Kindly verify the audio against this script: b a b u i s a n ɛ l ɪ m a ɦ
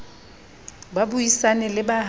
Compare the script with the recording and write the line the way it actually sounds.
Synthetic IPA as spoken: b a b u i s a n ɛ l ɪ b a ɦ